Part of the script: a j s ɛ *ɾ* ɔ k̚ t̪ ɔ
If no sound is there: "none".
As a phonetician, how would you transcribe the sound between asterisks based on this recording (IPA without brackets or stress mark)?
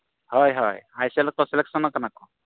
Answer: l